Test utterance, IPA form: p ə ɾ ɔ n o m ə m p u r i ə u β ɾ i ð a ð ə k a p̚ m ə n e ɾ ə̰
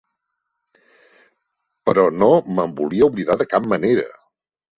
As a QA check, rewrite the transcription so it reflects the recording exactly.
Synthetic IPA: p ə ɾ ɔ n o m ə m b u l i ə u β l i ð a ð ə k a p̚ m ə n e ɾ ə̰